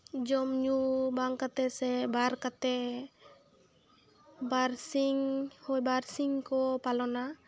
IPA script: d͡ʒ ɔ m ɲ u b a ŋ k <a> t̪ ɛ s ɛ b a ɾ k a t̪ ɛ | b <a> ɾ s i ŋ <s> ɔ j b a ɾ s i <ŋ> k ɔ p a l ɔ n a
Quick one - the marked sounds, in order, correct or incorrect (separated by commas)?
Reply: correct, correct, incorrect, correct